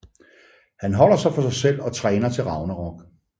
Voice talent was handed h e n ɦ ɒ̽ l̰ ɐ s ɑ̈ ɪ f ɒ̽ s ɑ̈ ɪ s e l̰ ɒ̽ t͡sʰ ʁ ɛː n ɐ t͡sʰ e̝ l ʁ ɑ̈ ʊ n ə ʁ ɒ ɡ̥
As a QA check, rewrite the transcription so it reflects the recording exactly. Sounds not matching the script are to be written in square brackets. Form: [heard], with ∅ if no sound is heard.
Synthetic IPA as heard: h [æ] n ɦ ɒ̽ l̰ ɐ s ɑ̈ ɪ f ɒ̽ s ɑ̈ ɪ s e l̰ ɒ̽ t͡sʰ ʁ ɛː n ɐ t͡sʰ e̝ l ʁ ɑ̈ ʊ n ə ʁ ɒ ɡ̥

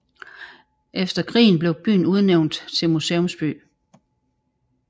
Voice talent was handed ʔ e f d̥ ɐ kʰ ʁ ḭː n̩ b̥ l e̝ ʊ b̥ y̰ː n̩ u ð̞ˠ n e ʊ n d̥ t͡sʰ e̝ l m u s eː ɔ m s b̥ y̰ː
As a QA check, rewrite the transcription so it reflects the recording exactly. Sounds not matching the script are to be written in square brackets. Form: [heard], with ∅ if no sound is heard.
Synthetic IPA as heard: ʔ e f d̥ ɐ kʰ ʁ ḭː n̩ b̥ l e̝ ʊ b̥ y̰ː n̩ u ð̞ˠ n e ʊ n d̥ t͡sʰ e̝ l m u s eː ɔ m s b̥ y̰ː

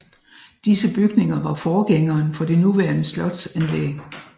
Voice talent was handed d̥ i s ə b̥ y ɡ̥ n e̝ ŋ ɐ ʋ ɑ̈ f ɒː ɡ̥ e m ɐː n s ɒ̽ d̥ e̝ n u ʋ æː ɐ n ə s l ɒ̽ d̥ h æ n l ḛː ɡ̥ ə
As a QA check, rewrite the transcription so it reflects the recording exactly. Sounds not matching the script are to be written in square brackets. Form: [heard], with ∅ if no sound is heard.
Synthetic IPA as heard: d̥ i s ə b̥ y ɡ̥ n e̝ ŋ ɐ ʋ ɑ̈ f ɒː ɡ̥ e [ŋ] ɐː n [f] ɒ̽ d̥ e̝ n u ʋ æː ɐ n ə s l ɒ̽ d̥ [s] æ n l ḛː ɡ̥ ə

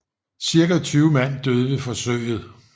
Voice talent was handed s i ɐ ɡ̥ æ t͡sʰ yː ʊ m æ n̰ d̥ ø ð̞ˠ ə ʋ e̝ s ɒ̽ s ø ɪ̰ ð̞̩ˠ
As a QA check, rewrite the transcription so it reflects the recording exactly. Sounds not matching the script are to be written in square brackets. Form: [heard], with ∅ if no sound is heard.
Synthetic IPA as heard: s i ɐ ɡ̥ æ t͡sʰ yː ʊ m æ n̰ d̥ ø ð̞ˠ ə ʋ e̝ [f] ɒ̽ s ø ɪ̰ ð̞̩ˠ

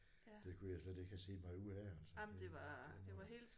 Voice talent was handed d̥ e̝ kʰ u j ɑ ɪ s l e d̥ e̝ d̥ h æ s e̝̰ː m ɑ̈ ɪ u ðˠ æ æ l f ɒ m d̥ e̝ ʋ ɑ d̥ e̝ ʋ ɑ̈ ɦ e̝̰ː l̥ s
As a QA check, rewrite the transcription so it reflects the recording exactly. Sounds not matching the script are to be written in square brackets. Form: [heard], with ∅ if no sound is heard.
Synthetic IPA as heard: d̥ e̝ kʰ u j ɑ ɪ s l e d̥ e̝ [ɡ̥] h æ s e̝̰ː m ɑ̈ ɪ u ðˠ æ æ l [s] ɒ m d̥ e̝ ʋ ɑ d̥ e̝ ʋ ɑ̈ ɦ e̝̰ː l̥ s

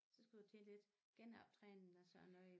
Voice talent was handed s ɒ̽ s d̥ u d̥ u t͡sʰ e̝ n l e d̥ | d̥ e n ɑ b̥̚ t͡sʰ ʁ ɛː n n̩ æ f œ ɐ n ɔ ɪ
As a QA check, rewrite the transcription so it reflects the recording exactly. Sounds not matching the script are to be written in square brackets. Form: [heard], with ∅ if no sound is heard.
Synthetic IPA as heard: s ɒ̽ s [ɡ̥] u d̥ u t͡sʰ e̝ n l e d̥ | [ɡ̥] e n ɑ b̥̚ t͡sʰ ʁ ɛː n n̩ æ [s] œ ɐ n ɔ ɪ

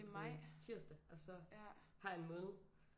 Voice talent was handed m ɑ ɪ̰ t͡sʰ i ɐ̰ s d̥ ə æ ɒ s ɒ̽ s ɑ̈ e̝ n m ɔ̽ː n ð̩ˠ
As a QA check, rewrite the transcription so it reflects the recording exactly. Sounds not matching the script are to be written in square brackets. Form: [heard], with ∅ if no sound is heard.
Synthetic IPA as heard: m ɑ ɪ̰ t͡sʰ i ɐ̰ s d̥ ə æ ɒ s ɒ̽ [h] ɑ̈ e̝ n m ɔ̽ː n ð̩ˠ

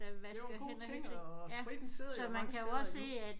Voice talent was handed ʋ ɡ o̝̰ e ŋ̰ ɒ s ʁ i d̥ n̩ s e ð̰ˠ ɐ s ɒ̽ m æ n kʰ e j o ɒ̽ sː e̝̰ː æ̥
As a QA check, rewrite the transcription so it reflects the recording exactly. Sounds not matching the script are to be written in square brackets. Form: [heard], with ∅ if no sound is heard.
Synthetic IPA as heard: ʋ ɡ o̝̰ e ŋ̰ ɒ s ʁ i d̥ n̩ s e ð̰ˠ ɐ s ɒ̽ m æ n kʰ [æ] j o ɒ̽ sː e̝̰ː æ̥

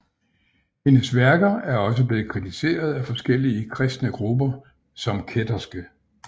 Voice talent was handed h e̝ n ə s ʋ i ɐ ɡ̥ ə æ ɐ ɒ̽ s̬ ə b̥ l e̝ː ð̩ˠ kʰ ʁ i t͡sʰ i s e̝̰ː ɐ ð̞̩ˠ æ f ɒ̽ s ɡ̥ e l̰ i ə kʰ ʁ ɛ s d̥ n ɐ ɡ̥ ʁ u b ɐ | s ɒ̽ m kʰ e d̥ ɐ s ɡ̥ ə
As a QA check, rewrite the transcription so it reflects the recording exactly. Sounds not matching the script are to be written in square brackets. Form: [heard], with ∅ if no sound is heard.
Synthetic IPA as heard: h e̝ n ə s ʋ [æ] ɐ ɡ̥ [ɐ] æ ɐ ɒ̽ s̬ ə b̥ l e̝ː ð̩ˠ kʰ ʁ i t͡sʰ i s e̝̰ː ɐ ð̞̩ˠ æ f ɒ̽ s ɡ̥ e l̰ i ə kʰ ʁ ɛ s d̥ n [ə] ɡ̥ ʁ u b ɐ | s ɒ̽ m kʰ e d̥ ɐ s ɡ̥ ə

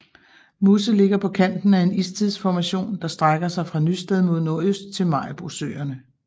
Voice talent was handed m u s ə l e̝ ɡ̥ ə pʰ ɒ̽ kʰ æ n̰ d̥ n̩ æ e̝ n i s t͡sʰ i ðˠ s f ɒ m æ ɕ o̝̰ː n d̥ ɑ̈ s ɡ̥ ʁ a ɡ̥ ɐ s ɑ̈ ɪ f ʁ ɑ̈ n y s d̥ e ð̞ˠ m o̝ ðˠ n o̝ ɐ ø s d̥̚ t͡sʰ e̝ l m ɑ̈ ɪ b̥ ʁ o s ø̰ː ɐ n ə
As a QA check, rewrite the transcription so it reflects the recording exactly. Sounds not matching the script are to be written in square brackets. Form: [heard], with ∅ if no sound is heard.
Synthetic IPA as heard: m u s ə l e̝ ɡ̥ [ɐ] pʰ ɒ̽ kʰ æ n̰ d̥ n̩ æ e̝ n i s t͡sʰ i ðˠ s f ɒ m æ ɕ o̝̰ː n d̥ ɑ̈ s [d̥] ʁ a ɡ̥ ɐ s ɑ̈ ɪ f ʁ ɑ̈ n y s d̥ e ð̞ˠ m o̝ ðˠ n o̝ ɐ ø s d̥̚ t͡sʰ e̝ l m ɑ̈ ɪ b̥ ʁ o s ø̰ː ɐ n ə

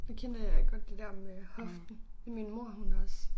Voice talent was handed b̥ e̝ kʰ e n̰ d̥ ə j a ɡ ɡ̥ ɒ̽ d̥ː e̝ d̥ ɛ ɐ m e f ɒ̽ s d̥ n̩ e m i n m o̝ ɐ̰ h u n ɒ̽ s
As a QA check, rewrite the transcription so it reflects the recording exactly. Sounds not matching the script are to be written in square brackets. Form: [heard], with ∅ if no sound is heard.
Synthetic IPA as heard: [d̥] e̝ kʰ e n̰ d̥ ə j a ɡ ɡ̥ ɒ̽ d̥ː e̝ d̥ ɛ ɐ m e [h] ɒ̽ [f] d̥ n̩ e m i n m o̝ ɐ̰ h u n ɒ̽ s

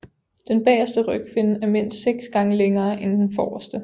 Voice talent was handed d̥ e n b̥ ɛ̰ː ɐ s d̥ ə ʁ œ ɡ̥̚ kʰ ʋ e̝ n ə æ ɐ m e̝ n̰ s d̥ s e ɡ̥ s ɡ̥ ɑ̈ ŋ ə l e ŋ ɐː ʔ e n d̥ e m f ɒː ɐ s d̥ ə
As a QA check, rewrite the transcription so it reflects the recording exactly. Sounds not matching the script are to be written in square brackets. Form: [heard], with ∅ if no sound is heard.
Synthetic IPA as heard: d̥ e n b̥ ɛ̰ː ɐ s d̥ ə ʁ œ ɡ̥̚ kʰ ʋ e̝ n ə æ ɐ m e̝ n̰ s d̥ s e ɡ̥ s ɡ̥ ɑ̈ ŋ ə l e ŋ ɐː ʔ e n d̥ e [n] f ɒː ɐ s d̥ ə

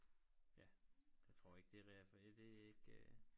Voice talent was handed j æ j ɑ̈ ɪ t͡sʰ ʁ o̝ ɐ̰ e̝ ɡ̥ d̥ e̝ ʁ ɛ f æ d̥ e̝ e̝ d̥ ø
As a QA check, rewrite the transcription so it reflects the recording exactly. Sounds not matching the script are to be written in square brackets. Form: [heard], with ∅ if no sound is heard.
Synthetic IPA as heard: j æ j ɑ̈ ɪ t͡sʰ ʁ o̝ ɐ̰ e̝ ɡ̥ d̥ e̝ ʁ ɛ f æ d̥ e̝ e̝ [ɡ̥] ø

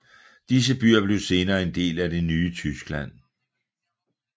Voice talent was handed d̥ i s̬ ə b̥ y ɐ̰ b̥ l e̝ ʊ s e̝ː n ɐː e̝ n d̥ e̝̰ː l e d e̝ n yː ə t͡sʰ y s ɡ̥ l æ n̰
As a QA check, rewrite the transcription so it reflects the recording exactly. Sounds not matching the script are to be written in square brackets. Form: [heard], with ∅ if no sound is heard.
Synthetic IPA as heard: d̥ i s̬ ə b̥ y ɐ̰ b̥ l e̝ ʊ s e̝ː n ɐː e̝ n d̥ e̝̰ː l [æ] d e̝ n yː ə t͡sʰ y s ɡ̥ l æ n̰

